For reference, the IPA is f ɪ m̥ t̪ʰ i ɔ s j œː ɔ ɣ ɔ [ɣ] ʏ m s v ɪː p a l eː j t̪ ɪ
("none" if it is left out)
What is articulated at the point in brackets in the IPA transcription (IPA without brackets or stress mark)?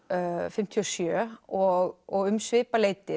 ɣ